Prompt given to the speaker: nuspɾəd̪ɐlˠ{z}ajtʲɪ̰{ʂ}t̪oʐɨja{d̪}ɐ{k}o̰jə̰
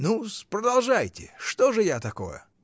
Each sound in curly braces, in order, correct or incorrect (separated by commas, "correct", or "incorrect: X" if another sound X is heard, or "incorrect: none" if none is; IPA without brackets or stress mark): incorrect: ʐ, correct, incorrect: t̪, correct